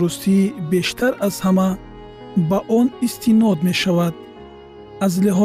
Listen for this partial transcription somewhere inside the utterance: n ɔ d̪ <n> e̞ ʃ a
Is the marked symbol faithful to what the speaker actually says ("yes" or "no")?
no